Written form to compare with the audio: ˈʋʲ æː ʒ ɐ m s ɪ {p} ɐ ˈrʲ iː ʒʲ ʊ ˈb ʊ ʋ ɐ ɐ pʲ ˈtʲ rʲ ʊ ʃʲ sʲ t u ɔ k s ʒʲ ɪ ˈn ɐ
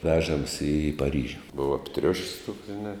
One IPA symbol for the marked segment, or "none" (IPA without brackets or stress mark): p